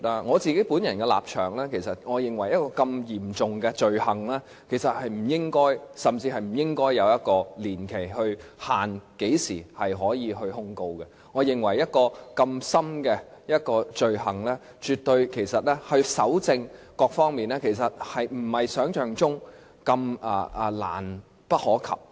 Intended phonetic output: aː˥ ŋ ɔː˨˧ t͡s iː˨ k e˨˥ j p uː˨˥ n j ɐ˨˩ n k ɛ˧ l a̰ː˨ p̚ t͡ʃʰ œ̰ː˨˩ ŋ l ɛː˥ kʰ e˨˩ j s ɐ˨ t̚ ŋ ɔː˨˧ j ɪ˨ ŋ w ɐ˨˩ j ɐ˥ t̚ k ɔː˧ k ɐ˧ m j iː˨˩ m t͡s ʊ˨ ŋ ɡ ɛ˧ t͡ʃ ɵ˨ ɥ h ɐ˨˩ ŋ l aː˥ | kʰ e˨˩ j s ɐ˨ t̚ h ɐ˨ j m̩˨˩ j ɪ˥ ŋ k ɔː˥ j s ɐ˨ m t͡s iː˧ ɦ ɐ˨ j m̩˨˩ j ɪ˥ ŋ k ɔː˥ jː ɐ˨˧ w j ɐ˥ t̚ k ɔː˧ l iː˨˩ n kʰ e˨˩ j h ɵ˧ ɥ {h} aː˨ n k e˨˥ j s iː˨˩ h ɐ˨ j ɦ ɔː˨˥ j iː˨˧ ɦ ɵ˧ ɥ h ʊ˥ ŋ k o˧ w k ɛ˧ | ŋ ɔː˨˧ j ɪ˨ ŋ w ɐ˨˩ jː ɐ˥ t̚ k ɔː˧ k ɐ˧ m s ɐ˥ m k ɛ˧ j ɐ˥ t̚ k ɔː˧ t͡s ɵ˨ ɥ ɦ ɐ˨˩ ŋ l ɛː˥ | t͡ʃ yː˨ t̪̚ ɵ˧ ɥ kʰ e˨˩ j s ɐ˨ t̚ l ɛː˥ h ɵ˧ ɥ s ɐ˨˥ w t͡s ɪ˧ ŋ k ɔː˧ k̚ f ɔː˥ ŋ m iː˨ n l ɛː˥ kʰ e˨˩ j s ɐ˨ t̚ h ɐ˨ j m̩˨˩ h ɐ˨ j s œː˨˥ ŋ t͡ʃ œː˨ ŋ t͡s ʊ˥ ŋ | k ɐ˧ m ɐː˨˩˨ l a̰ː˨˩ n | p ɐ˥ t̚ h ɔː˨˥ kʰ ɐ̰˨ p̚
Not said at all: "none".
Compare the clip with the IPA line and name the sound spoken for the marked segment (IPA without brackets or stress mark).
h